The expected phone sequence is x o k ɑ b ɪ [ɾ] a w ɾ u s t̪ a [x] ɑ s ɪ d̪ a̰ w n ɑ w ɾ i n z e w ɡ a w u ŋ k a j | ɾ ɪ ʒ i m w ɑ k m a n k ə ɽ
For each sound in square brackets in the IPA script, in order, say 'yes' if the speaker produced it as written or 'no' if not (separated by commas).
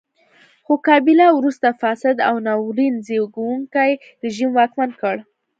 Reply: no, no